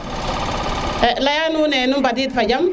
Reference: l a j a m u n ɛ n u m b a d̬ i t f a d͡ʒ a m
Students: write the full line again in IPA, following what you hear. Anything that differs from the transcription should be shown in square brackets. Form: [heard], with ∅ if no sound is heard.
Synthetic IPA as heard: l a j a [n] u n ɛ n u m b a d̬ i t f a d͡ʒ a m